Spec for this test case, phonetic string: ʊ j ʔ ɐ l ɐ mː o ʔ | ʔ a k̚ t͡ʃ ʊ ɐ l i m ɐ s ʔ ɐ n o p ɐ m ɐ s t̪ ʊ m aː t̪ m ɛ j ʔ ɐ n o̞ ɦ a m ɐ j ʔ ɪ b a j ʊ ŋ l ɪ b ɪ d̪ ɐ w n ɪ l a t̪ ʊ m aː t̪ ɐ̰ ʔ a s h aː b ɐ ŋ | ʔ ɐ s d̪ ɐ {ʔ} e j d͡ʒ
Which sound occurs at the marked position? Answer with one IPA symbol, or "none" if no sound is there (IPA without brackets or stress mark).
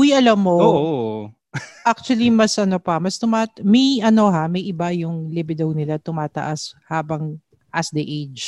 ʔ